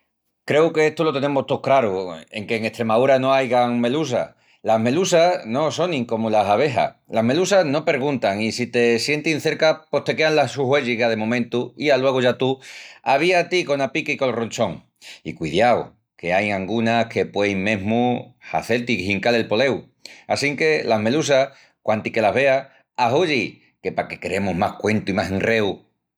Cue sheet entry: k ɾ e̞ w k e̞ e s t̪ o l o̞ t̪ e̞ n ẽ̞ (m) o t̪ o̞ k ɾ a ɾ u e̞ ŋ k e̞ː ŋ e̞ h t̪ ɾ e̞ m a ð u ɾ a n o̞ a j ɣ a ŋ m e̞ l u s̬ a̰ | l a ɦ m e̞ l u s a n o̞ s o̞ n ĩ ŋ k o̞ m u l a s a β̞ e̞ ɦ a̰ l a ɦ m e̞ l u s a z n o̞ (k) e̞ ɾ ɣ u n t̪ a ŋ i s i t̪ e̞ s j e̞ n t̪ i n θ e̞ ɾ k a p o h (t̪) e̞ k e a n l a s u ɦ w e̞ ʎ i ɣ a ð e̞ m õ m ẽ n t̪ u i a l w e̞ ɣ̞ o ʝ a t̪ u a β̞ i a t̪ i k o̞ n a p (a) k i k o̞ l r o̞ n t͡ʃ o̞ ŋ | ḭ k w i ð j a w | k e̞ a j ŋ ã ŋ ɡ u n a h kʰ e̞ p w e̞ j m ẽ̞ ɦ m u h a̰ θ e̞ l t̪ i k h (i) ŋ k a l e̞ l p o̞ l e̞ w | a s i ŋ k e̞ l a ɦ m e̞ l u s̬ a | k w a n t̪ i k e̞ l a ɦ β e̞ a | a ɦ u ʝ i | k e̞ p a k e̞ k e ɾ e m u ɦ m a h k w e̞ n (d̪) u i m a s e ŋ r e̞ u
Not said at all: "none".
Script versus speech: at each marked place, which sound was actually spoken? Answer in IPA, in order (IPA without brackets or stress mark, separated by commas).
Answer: m, p, t̪, i, i, t̪